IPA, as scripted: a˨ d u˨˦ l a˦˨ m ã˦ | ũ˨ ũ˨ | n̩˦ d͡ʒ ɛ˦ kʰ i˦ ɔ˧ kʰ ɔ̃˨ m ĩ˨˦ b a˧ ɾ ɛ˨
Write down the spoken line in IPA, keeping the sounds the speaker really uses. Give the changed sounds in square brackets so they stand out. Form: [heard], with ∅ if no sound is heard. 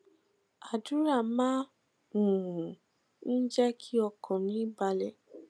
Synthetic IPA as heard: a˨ d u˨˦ [ɾ] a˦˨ m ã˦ | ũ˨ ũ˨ | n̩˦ d͡ʒ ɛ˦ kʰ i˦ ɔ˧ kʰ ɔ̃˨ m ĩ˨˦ b a˧ [l] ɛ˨